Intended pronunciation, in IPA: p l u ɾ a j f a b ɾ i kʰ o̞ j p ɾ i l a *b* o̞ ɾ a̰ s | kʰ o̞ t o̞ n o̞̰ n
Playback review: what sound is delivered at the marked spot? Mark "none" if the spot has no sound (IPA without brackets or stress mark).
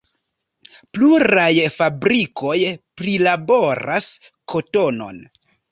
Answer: b